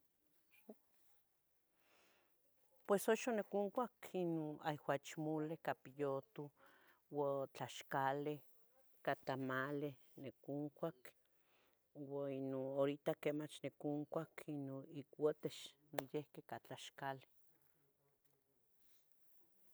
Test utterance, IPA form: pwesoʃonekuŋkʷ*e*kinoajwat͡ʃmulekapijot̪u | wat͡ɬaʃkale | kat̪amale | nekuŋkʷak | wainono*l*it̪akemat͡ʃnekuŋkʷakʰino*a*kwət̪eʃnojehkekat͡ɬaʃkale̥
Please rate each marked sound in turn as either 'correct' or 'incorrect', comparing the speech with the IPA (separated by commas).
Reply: incorrect, incorrect, incorrect